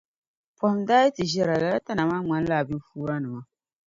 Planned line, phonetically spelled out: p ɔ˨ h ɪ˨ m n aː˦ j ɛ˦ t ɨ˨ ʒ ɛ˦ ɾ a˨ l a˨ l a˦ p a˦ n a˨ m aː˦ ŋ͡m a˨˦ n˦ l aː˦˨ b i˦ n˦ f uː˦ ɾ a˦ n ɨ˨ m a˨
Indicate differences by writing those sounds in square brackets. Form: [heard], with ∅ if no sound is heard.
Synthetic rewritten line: p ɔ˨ h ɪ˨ m [d] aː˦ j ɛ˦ t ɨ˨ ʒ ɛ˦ ɾ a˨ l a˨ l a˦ [t] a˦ n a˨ m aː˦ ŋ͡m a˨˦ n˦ l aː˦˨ b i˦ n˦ f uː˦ ɾ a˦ n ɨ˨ m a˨